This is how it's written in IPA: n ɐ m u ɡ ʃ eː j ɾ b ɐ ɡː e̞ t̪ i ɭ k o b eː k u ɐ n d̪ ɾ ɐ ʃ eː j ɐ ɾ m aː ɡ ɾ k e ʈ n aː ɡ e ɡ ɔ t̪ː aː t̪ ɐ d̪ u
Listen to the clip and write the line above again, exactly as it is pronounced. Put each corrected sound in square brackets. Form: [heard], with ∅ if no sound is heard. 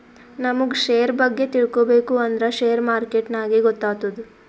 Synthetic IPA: n ɐ m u ɡ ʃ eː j ɾ b ɐ ɡː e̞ t̪ i ɭ k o b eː k u ɐ n d̪ ɾ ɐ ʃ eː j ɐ ɾ m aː [∅] ɾ k e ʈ n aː ɡ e ɡ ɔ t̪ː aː t̪ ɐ d̪ u